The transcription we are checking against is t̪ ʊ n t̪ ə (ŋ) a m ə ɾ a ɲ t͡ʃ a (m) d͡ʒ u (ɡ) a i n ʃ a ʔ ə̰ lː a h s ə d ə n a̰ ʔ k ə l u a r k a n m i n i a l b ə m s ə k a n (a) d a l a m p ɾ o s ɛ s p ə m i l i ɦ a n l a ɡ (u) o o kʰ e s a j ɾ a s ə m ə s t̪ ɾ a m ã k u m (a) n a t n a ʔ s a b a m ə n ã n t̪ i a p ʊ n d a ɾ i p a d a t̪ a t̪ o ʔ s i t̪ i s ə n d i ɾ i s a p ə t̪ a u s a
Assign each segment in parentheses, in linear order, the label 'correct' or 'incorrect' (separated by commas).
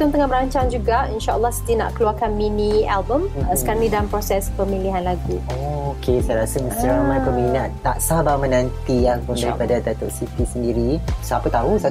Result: correct, incorrect, correct, incorrect, correct, incorrect